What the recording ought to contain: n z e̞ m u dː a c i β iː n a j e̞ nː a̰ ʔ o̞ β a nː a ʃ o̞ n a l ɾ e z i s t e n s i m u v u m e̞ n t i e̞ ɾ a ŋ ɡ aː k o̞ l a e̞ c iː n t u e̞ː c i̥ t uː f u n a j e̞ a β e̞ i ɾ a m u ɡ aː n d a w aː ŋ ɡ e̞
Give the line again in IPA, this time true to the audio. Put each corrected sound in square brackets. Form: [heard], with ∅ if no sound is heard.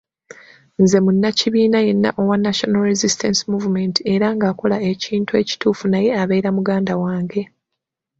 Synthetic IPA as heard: n z e̞ m u [nː] a c i β iː n a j e̞ nː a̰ ʔ o̞ [w] a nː a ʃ o̞ n a l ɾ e z i s t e n s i m u v u m e̞ n t i e̞ ɾ a ŋ ɡ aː k o̞ l a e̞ c iː n t u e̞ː c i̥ t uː f u n a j e̞ a β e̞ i ɾ a m u ɡ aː n d a w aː ŋ ɡ e̞